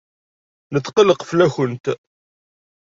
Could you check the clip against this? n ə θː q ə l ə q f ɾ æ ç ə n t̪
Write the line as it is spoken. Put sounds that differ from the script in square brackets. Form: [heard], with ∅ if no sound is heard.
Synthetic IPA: n ə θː q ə l ə q f [l] æ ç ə n t̪

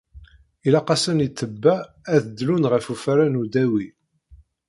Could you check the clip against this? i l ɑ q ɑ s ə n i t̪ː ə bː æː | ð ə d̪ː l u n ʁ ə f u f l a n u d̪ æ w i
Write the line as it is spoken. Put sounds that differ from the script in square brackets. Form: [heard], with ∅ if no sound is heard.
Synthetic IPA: i l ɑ q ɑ s ə n i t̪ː ə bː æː | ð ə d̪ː l u n ʁ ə f u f [ɾ] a n u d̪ æ w i

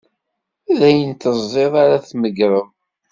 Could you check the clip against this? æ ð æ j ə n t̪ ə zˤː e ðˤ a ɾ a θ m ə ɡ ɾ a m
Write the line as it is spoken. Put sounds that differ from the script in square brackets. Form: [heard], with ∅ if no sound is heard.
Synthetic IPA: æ ð æ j ə n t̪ ə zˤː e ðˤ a ɾ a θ m ə ɡ ɾ [ə] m

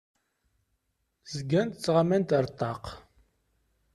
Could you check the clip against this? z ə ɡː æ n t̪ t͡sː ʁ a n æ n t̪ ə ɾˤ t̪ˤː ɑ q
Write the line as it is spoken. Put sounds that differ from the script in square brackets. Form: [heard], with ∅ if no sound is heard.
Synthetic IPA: z ə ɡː æ n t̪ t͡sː ʁ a [m] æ n t̪ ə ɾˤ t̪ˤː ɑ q

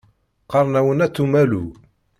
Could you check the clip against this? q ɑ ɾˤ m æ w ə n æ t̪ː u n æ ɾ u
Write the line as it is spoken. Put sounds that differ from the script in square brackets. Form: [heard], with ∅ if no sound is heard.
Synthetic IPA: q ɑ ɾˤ [n] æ w ə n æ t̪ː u [m] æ [l] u

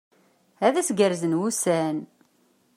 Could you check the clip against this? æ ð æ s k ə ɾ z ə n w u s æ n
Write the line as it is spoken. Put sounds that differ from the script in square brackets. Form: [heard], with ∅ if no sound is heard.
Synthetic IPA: æ ð æ s [ɡ] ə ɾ z ə n w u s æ n

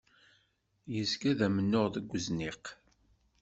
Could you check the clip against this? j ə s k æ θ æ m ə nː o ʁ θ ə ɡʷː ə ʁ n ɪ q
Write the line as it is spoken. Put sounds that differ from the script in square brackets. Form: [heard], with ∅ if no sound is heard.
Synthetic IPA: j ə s k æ [ð] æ m ə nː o ʁ [ð] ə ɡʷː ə [z] n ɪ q

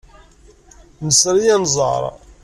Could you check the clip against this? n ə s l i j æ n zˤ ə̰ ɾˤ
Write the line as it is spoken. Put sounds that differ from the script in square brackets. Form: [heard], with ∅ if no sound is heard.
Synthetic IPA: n ə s [ɾ] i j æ n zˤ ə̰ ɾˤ

